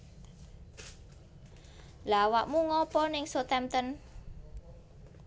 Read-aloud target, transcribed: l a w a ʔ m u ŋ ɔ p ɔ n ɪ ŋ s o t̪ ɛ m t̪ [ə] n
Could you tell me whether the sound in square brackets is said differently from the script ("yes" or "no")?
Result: no